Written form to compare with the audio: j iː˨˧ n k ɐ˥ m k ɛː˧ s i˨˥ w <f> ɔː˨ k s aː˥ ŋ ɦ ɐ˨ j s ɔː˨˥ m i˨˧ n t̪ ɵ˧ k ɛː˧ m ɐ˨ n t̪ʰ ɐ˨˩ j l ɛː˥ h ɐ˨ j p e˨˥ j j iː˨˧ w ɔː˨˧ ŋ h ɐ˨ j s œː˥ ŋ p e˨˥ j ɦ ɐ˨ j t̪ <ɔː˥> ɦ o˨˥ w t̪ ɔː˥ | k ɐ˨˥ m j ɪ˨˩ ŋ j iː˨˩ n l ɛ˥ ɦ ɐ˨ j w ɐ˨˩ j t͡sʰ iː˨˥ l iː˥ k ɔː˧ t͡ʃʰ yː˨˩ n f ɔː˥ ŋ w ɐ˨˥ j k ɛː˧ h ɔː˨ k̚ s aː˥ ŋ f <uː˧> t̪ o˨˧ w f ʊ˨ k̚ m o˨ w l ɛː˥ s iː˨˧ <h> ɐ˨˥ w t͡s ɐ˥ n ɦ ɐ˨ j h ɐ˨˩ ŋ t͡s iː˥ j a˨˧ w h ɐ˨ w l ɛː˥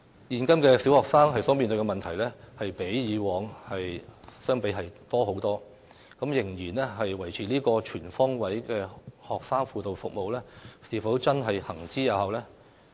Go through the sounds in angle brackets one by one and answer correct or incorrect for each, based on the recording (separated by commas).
incorrect, correct, correct, incorrect